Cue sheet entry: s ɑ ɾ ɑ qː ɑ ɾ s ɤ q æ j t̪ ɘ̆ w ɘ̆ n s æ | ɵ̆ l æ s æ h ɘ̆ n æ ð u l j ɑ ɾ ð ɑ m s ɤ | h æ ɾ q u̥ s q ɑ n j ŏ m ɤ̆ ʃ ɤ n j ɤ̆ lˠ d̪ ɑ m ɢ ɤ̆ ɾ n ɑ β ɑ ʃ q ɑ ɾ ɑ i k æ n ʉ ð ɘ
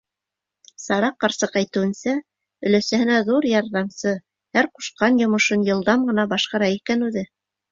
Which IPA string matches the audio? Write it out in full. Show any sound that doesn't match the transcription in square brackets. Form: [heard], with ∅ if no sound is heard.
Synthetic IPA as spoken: s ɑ ɾ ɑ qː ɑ ɾ s ɤ q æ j t̪ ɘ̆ w ɘ̆ n s æ | ɵ̆ l æ s æ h ɘ̆ n æ ð u [ɾ] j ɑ ɾ ð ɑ m s ɤ | h æ ɾ q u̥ [ʃ] q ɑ n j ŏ m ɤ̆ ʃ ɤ n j ɤ̆ lˠ d̪ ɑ m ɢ ɤ̆ [∅] n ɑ [b] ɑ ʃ q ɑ ɾ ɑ i k æ n ʉ ð ɘ